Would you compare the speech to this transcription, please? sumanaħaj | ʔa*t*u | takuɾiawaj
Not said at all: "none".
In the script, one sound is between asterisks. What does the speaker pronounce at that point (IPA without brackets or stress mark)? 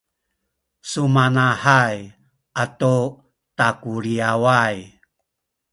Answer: t